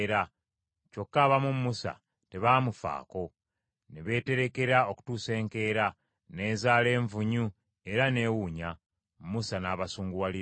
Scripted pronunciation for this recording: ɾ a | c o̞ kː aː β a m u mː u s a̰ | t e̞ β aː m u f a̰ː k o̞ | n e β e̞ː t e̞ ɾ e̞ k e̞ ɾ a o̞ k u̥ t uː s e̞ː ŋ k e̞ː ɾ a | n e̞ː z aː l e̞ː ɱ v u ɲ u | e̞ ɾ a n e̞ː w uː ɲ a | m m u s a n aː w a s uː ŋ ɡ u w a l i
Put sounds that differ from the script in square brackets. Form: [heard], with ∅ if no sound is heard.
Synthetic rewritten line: ɾ a | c o̞ kː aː β a m u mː u s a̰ | t e̞ β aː m u f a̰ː k o̞ | n e β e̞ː t e̞ ɾ e̞ k e̞ ɾ a o̞ k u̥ t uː s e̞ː ŋ k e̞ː ɾ a | n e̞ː z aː l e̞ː ɱ v u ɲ u | e̞ ɾ a n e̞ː w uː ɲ a | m m u s a n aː [β] a s uː ŋ ɡ u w a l i